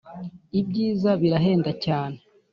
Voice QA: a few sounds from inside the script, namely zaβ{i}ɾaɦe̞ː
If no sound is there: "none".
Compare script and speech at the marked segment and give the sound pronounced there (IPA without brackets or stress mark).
i